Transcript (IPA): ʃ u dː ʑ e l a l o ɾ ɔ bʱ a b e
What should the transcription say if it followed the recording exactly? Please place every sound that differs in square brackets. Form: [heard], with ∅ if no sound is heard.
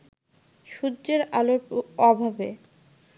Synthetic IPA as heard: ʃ u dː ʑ e [ɾ] a l o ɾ ɔ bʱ a b e